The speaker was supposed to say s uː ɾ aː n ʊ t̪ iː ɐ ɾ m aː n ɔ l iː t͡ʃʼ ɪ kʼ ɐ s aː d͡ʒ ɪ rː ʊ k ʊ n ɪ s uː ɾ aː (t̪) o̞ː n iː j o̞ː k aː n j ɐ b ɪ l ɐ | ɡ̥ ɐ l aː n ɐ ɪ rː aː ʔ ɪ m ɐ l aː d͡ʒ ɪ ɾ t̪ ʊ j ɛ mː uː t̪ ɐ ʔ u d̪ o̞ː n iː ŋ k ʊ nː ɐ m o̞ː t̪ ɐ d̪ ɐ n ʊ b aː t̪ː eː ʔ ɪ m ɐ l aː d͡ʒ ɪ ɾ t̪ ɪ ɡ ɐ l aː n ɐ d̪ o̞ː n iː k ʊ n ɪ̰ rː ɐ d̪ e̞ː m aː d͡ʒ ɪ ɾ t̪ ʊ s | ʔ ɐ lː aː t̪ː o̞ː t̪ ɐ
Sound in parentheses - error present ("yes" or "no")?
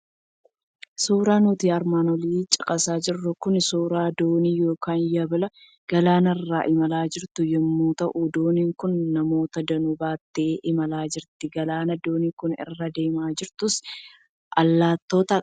yes